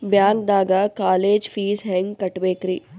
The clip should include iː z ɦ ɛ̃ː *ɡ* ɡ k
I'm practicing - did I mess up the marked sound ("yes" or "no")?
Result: yes